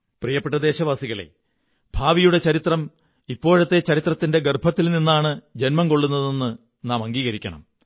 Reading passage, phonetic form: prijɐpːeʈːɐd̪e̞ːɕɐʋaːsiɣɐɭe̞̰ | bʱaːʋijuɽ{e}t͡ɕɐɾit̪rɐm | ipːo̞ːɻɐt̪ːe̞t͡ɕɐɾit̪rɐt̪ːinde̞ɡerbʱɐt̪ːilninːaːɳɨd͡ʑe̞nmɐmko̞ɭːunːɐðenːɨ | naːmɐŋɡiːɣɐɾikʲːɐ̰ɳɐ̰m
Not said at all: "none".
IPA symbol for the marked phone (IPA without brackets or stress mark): e